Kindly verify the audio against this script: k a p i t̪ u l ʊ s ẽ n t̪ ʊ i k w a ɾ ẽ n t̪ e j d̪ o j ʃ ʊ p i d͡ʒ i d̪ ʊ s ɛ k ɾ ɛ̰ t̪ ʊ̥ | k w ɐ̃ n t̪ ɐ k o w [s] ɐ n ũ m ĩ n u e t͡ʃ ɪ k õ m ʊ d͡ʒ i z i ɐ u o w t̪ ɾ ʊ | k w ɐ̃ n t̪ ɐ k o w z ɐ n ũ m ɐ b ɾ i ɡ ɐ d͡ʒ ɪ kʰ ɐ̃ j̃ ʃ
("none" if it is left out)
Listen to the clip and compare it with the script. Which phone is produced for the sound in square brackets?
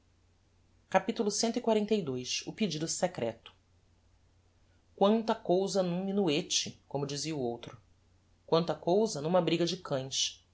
z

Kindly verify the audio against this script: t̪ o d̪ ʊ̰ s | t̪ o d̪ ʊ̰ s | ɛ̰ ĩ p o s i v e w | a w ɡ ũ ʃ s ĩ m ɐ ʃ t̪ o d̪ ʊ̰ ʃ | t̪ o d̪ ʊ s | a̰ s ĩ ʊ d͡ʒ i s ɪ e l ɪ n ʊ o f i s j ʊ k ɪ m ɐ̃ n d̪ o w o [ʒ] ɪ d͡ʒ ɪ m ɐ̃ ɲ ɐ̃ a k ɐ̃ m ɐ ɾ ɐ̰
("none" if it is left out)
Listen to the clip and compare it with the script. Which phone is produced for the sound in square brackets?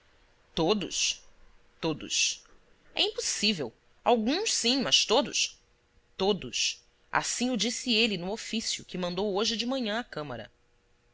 ʒ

